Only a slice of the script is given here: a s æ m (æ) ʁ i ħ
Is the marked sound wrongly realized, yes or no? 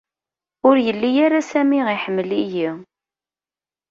yes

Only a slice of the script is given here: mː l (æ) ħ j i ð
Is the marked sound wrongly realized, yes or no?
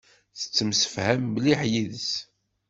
yes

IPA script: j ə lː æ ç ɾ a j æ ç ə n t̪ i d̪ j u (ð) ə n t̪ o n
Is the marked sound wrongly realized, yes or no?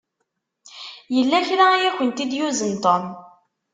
yes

